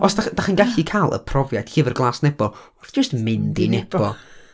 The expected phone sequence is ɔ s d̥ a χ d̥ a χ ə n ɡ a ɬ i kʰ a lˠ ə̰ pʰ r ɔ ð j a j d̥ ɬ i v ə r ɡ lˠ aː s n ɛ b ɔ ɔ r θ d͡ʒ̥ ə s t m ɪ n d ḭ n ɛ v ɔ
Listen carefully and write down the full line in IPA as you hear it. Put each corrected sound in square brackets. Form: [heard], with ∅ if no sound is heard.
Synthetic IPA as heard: ɔ s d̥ a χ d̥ a χ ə n ɡ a ɬ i kʰ a lˠ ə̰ pʰ r ɔ [v] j a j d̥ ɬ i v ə r ɡ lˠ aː s n ɛ b ɔ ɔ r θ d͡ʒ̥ ə s t m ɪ n d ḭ n ɛ [b] ɔ